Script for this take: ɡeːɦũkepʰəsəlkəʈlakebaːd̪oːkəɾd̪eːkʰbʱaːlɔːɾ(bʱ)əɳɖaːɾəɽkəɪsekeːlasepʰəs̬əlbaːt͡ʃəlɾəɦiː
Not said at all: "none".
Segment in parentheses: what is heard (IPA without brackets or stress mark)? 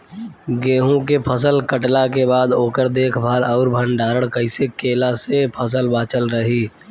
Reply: bʱ